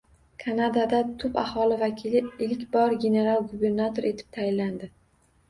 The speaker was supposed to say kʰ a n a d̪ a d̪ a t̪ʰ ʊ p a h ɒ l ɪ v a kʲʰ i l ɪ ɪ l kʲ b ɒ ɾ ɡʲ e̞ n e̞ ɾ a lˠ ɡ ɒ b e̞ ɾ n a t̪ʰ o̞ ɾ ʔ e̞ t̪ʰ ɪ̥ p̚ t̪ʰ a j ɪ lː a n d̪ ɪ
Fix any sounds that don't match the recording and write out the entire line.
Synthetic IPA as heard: kʰ a n a d̪ a d̪ a t̪ʰ ʊ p a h ɒ l ɪ v a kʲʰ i l ɪ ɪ l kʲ b ɒ ɾ ɡʲ e̞ n e̞ ɾ a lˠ ɡ u b e̞ ɾ n a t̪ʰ o̞ ɾ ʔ e̞ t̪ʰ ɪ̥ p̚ t̪ʰ a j ɪ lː a n d̪ ɪ